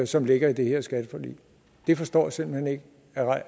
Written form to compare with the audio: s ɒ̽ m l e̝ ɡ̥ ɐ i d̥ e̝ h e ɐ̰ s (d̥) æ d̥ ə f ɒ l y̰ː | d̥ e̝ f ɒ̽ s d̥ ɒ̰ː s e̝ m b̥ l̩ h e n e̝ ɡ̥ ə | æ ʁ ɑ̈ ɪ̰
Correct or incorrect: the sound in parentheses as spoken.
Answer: incorrect: ɡ̥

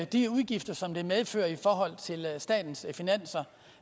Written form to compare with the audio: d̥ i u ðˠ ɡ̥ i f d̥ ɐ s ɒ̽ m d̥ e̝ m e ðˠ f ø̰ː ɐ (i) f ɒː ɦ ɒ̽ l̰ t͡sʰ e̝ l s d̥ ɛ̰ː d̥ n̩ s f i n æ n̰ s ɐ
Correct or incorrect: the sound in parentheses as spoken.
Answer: correct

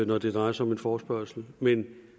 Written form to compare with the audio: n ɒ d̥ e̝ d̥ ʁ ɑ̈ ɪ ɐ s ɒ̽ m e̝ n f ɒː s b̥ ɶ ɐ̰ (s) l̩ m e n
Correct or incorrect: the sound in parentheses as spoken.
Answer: correct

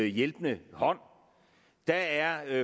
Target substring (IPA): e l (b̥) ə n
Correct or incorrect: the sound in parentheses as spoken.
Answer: correct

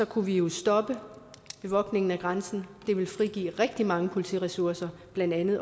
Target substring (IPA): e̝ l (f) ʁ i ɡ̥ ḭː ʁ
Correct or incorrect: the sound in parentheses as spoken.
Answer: correct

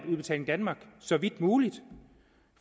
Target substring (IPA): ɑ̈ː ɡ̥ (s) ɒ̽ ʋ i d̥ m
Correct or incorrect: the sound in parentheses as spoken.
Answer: correct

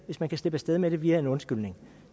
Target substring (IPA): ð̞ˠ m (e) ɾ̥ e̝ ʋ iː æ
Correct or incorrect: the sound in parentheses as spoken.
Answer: correct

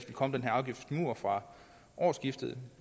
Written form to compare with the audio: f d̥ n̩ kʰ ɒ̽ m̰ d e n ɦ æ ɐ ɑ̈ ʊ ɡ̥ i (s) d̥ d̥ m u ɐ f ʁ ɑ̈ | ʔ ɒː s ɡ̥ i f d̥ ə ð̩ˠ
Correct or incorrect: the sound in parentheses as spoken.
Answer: incorrect: f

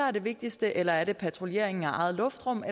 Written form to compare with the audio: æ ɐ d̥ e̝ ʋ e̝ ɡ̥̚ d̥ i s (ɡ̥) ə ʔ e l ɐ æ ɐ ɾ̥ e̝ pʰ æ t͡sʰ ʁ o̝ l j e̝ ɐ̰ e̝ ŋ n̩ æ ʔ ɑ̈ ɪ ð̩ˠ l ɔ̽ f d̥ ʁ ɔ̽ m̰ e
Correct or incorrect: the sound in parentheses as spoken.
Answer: incorrect: d̥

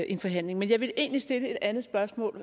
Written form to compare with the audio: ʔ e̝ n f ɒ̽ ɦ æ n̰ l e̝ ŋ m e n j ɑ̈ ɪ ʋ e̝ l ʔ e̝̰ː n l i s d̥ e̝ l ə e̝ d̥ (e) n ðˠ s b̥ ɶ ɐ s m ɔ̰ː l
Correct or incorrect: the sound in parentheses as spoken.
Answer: incorrect: æ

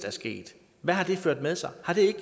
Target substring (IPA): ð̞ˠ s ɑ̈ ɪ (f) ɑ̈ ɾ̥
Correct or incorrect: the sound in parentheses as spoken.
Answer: incorrect: h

